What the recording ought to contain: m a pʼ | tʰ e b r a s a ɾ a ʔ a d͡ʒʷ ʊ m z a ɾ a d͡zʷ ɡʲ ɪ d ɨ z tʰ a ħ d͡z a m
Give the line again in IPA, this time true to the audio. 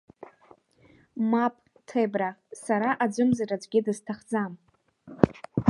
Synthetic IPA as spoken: m a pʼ | tʰ e b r a s a ɾ a ʔ a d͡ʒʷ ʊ m z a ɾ a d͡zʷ ɡʲ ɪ d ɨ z tʰ a χ d͡z a m